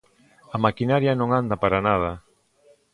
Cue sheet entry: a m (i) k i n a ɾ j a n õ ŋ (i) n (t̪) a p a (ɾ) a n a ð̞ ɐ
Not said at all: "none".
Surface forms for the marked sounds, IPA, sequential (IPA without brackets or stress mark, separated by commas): a, a, d̪, ɾ